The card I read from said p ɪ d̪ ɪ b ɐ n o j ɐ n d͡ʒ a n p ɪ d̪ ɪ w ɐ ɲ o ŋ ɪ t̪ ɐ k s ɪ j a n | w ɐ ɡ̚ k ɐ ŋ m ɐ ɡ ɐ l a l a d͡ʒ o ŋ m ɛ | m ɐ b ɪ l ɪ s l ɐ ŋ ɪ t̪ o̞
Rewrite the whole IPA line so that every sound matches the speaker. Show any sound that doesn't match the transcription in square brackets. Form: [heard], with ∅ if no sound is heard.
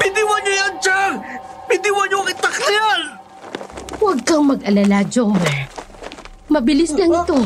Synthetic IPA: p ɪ d̪ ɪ [w] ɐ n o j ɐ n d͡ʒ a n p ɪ d̪ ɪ w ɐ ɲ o ŋ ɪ t̪ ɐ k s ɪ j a n | w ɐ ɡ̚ k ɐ ŋ m ɐ ɡ ɐ l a l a d͡ʒ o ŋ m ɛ | m ɐ b ɪ l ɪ s l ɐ ŋ ɪ t̪ o̞